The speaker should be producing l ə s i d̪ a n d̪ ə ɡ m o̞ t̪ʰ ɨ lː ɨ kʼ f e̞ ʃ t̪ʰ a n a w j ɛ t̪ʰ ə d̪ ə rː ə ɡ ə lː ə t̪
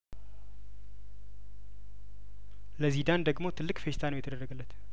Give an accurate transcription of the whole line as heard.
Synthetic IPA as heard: l ə z i d̪ a n d̪ ə ɡ m o̞ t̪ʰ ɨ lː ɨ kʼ f e̞ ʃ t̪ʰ a n ə w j ɛ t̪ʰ ə d̪ ə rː ə ɡ ə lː ə t̪